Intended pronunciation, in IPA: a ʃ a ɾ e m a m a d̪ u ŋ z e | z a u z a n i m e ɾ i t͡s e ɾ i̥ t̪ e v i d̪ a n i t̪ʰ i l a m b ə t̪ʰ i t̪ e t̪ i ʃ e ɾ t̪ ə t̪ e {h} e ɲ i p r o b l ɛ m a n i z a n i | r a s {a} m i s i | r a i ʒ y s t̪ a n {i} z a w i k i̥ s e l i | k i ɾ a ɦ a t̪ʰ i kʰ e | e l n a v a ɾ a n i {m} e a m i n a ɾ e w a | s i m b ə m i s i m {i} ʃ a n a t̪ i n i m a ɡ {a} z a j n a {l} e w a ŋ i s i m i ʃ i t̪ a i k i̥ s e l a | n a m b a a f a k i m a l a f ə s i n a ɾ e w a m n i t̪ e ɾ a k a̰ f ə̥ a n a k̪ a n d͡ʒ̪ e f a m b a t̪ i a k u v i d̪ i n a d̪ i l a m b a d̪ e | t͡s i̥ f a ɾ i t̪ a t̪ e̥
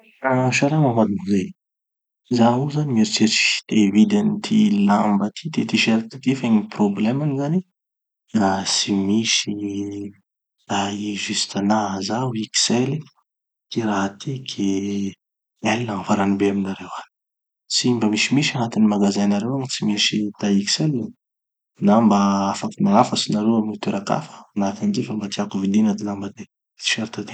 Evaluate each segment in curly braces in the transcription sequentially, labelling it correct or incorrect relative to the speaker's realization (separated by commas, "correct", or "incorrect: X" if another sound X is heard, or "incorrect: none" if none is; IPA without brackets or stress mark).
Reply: incorrect: f, incorrect: i, incorrect: a, incorrect: b, correct, correct, incorrect: ɾ